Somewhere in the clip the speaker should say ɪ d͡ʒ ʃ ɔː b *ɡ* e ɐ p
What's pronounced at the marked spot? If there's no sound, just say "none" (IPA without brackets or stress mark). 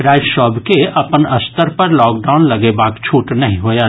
k